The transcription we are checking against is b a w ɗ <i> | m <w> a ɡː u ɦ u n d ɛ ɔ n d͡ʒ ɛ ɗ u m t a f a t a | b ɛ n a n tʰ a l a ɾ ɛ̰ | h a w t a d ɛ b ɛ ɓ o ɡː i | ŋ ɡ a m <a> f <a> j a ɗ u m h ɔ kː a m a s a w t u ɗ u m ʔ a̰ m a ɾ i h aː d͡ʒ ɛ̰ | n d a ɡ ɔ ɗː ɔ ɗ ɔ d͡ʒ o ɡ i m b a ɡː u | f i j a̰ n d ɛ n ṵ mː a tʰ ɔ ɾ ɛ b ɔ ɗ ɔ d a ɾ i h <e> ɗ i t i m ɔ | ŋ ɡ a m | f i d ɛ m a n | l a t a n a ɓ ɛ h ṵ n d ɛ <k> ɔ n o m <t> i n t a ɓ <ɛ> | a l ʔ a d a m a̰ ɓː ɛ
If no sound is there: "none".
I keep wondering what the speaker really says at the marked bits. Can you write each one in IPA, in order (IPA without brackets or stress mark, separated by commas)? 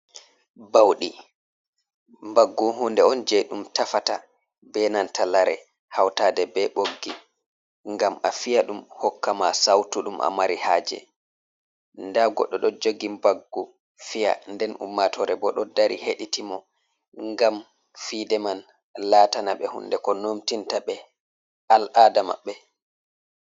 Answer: i, b, a, i, e, k, t, ɛ